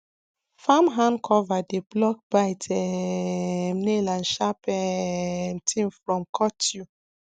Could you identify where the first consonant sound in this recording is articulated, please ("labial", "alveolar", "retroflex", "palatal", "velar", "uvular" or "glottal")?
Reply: labial